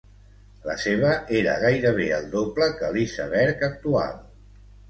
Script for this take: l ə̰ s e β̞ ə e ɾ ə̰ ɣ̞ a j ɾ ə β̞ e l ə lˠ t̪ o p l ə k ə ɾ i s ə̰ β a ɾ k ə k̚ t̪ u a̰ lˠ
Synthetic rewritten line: l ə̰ s e β̞ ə e ɾ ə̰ ɣ̞ a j ɾ ə β̞ e ə lˠ d̪ o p l ə k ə l i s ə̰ β ɛ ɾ k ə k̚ t̪ u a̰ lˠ